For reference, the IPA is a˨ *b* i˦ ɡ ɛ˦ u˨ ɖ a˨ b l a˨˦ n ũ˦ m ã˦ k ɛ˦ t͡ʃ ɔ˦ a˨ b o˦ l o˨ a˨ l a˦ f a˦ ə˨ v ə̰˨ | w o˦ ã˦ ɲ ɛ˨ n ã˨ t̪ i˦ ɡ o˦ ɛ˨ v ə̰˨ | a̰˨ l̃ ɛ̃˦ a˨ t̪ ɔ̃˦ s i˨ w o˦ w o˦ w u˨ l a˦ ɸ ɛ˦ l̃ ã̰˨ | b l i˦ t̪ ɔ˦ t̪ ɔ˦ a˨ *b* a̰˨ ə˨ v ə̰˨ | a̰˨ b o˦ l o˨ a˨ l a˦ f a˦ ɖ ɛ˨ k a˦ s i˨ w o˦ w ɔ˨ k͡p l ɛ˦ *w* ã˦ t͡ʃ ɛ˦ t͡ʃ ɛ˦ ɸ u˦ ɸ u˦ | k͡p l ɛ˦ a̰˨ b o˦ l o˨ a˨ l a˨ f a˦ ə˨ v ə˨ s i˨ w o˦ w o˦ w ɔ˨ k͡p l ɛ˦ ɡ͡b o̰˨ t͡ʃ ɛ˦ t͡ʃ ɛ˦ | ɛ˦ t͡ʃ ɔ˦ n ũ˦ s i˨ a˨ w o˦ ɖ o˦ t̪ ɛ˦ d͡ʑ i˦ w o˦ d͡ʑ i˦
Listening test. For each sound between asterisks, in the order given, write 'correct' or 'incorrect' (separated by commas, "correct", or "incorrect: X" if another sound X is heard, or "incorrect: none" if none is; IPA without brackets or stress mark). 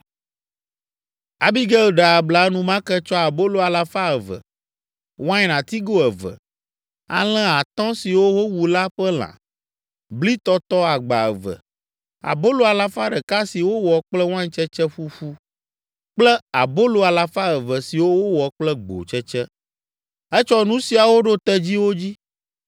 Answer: correct, incorrect: ɡ͡b, correct